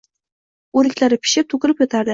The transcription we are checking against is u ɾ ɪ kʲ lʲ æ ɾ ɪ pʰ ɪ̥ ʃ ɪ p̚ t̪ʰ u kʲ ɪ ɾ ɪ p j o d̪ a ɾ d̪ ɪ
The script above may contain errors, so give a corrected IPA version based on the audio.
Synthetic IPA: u ɾ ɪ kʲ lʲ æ ɾ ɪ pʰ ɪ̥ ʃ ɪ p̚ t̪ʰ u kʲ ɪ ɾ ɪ p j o t̪ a ɾ d̪ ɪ

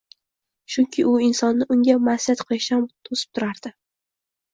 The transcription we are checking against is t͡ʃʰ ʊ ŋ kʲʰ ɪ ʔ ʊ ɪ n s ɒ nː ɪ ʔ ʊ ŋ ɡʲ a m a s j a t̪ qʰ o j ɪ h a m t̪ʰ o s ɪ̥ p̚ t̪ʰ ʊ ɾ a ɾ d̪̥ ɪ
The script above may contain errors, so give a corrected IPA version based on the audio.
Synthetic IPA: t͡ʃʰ ʊ ŋ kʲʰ ɪ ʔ ʊ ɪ n s ɒ nː ɪ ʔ ʊ ŋ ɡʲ a m a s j a t̪ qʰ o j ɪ ʃ a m t̪ʰ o s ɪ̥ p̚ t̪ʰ ʊ ɾ a ɾ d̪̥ ɪ

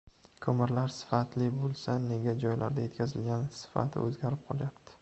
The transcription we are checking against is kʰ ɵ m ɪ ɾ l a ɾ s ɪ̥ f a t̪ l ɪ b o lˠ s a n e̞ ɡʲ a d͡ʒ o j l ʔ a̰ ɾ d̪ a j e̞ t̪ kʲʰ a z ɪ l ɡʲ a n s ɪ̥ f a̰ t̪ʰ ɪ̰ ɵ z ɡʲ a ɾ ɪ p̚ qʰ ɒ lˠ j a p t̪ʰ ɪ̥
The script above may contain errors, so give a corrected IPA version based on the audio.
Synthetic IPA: kʰ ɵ m ɪ ɾ l a ɾ s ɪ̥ f a t̪ l ɪ b o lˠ s a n e̞ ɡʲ a d͡ʒ ɒ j l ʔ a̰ ɾ d̪ a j e̞ t̪ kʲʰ a z ɪ l ɡʲ a n s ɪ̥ f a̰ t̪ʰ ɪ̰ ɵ z ɡʲ a ɾ ɪ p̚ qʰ ɒ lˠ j a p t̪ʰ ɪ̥

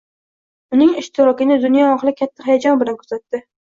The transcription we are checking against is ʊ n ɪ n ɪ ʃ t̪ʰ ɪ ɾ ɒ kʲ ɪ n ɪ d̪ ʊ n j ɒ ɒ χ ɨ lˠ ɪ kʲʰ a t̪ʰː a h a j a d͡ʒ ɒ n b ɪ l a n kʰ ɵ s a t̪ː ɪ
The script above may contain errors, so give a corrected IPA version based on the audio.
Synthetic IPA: ʊ n ɪ ŋ ɪ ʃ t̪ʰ ɪ ɾ ɒ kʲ ɪ n ɪ d̪ ʊ n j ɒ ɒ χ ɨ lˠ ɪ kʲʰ a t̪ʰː a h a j a d͡ʒ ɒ n b ɪ l a n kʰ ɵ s a t̪ː ɪ

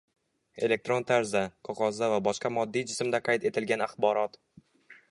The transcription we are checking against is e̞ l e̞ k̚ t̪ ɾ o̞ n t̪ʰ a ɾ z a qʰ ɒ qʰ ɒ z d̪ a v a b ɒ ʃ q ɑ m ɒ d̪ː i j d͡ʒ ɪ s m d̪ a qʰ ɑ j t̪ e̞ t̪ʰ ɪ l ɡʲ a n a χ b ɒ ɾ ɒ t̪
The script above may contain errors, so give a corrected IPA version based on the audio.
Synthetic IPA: e̞ l e̞ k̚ t̪ ɾ o̞ n t̪ʰ a ɾ z a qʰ ɒ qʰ ɒ z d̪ a v a b ɒ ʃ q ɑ m ɒ d̪ː i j d͡ʒ ɪ s m d̪ a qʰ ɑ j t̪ e̞ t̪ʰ ɪ l ɡʲ a n a χ b ɒ ɾ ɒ t̪

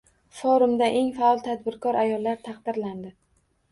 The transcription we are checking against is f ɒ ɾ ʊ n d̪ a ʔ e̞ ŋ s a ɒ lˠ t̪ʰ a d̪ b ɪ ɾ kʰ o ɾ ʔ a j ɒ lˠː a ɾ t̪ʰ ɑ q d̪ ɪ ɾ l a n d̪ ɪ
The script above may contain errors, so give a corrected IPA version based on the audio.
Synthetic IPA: f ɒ ɾ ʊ m d̪ a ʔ e̞ ŋ f a ɒ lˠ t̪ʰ a d̪ b ɪ ɾ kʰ ɒ ɾ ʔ a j ɒ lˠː a ɾ t̪ʰ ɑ q d̪ ɪ ɾ l a n d̪ ɪ

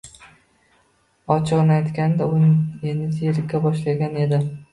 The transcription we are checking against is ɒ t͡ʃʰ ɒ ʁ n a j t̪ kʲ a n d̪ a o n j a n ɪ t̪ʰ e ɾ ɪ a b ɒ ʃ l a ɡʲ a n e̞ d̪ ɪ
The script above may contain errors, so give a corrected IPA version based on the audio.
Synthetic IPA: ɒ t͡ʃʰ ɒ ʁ n a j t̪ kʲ a n d̪ a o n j e n ɪ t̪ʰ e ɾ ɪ a b ɒ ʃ l a ɡʲ a n e̞ d̪ ɪ

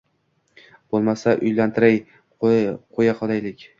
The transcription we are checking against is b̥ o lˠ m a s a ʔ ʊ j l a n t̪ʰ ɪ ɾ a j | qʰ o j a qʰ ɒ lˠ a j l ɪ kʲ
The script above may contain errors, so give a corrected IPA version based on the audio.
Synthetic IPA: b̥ o lˠ m a s a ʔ ʊ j l a n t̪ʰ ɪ ɾ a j | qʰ o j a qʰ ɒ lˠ a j l ɪ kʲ

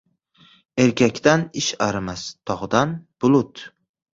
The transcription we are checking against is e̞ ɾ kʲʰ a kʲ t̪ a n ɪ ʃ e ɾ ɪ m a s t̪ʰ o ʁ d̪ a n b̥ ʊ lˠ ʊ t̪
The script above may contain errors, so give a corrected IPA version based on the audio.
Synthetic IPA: e̞ ɾ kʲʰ a kʲ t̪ a n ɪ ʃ a ɾ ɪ m a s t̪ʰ ɒ ʁ d̪ a n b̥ ʊ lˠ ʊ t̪

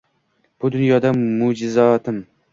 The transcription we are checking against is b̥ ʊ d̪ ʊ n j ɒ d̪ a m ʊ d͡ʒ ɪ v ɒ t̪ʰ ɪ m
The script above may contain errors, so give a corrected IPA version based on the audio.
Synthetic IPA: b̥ ʊ d̪ ʊ n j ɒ d̪ a m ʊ d͡ʒ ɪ z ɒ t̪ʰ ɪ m

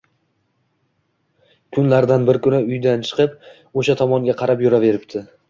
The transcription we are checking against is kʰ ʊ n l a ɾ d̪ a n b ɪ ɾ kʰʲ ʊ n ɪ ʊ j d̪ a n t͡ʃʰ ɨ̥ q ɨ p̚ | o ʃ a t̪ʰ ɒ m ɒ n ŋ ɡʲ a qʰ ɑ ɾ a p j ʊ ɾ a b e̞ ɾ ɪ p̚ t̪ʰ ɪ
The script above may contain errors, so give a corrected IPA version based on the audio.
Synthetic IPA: kʰ ʊ n l a ɾ d̪ a n b ɪ ɾ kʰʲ ʊ n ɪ ʊ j d̪ a n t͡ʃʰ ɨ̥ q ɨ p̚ | o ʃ a t̪ʰ ɒ m ɒ ŋ ɡʲ a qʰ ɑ ɾ a p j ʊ ɾ a v e̞ ɾ ɪ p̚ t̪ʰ ɪ

